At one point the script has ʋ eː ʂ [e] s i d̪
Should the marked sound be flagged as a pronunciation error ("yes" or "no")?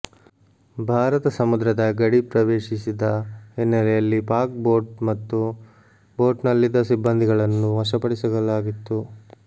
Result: yes